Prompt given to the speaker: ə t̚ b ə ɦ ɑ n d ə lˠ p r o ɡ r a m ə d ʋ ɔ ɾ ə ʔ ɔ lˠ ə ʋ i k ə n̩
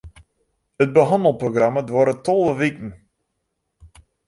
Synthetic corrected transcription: ə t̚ b ə ɦ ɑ n d ə lˠ p r o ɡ r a m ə d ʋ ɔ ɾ ə t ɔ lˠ ə ʋ i k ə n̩